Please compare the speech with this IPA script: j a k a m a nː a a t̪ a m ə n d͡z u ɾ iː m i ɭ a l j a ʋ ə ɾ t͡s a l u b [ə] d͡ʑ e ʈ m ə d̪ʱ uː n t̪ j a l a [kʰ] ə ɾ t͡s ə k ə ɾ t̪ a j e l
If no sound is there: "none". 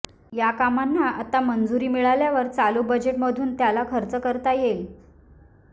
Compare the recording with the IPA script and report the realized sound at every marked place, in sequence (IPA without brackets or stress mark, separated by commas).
ə, kʰ